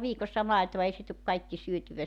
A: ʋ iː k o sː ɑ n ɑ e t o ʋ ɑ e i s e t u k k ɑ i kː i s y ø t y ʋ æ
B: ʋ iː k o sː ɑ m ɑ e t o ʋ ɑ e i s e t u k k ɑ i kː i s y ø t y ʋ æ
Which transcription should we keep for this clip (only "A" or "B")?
B